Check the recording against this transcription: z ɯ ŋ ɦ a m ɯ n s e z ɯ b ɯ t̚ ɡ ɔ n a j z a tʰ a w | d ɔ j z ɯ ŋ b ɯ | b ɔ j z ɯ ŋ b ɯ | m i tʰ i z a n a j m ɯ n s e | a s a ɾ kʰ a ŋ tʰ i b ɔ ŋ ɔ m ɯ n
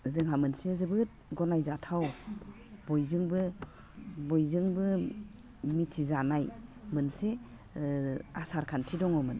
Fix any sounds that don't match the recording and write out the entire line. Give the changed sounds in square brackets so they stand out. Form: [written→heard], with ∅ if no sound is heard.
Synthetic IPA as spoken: z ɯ ŋ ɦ a m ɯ n s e z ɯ b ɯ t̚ ɡ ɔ n a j z a tʰ a w | [d→b] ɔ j z ɯ ŋ b ɯ | b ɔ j z ɯ ŋ b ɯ | m i tʰ i z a n a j m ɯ n s e | a s a ɾ kʰ a [ŋ→n] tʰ i [b→d] ɔ ŋ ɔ m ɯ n